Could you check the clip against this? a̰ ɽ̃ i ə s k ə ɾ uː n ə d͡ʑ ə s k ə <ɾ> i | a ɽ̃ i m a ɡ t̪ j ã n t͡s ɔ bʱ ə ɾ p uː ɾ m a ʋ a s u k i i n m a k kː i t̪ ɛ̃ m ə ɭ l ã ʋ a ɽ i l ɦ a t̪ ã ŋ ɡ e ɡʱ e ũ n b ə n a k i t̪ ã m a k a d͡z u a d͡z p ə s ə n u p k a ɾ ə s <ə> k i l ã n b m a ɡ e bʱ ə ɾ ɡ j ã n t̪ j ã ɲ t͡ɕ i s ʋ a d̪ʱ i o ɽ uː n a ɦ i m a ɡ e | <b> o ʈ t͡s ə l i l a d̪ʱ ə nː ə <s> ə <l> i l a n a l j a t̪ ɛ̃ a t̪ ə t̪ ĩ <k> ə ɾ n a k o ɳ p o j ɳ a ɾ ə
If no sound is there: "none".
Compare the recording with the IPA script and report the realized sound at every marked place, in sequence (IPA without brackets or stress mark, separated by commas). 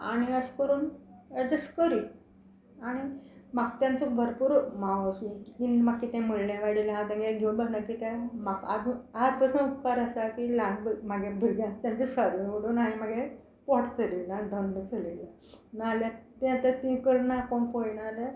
ɾ, a, p, t͡s, l, k